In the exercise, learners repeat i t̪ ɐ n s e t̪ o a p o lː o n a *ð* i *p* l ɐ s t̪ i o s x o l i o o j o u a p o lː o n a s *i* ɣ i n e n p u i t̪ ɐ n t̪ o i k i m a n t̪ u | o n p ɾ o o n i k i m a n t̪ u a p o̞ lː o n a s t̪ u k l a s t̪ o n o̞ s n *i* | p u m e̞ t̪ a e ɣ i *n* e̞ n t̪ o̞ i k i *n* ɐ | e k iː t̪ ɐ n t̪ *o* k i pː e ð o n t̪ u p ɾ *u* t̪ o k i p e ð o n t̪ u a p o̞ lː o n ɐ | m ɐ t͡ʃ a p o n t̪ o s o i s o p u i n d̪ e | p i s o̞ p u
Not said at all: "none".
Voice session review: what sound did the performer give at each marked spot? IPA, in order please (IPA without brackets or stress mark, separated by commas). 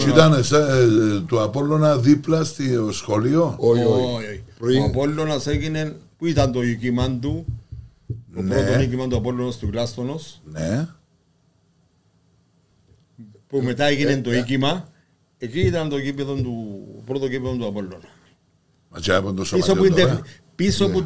ð, p, e, e, n, m, o, o